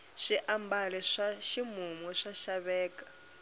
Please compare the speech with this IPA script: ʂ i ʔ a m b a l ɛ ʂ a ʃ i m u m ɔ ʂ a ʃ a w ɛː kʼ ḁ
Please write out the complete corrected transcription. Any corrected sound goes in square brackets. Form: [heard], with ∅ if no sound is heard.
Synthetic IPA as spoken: [ʃ] i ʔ a m b a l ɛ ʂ a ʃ i m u m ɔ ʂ a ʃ a [β] ɛː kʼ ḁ